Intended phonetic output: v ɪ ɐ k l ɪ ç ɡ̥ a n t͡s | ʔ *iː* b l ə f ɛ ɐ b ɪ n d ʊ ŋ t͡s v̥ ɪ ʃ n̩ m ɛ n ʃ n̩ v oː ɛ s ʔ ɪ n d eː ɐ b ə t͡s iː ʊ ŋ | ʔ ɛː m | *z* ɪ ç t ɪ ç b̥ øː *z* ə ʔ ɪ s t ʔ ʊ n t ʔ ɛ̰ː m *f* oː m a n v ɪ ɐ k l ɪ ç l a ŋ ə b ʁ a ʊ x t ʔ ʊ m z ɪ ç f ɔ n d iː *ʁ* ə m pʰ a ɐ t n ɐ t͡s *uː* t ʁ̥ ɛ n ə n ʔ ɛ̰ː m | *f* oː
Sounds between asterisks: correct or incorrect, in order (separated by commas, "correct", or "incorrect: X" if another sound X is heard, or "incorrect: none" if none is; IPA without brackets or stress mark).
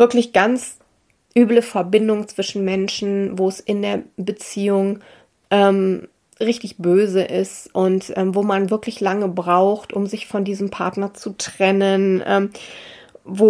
incorrect: yː, incorrect: ʁ, correct, incorrect: v, incorrect: z, incorrect: u, incorrect: v